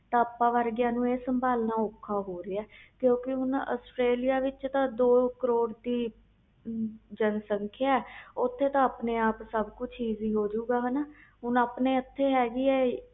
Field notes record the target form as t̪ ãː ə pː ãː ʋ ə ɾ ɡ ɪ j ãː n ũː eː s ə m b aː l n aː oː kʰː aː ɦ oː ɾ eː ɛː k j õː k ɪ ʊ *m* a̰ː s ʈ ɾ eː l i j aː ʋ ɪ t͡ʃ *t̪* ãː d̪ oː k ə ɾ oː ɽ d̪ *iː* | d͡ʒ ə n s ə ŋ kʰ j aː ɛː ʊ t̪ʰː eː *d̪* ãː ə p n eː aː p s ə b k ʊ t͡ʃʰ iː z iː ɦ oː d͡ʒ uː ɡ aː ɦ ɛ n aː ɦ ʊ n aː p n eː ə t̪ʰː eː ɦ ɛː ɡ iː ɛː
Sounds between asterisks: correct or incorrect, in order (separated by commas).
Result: incorrect, correct, correct, incorrect